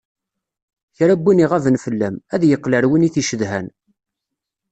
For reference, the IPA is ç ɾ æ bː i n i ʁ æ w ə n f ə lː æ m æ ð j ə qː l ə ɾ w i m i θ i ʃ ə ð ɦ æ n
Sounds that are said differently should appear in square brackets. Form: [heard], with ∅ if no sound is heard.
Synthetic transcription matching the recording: ç ɾ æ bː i n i ʁ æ [v] ə n f ə lː æ m æ ð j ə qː l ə ɾ w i [n] i θ i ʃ ə ð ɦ æ n